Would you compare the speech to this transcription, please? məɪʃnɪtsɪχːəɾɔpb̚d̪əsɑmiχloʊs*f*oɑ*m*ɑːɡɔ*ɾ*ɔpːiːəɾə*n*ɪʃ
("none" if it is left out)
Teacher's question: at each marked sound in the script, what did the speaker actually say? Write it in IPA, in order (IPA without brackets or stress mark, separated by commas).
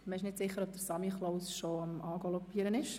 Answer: ʃ, m, l, n